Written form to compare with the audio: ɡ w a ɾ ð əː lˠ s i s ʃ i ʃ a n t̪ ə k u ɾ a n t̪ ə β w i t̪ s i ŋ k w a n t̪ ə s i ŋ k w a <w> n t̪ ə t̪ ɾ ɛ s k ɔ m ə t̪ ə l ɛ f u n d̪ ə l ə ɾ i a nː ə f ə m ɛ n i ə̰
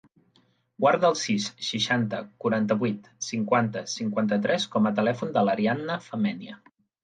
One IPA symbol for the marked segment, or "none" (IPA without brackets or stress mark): none